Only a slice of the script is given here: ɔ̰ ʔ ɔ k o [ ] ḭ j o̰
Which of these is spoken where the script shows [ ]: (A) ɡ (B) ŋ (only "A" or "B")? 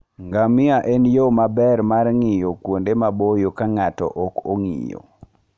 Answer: B